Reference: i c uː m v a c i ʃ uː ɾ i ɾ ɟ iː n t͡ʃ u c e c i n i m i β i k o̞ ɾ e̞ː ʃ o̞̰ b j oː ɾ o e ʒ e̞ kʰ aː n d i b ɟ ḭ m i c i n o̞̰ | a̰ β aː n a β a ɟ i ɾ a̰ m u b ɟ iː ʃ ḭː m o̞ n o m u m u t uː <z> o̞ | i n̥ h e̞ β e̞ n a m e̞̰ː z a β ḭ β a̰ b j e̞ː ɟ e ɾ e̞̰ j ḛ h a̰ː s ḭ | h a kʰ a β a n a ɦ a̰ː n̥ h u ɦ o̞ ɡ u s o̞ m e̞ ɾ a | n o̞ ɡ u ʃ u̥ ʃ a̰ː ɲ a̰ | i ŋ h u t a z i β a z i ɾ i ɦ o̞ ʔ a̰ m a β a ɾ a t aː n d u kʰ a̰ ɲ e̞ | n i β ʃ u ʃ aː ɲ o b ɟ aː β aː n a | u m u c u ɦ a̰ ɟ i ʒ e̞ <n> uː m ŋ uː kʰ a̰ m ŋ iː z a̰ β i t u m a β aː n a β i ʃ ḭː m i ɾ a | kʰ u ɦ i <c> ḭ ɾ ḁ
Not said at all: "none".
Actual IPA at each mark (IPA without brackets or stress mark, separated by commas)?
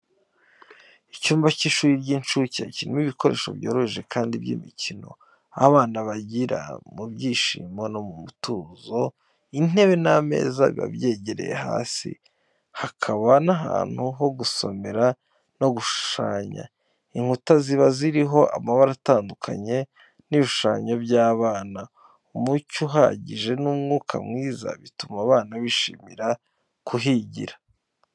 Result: z, n, ɟ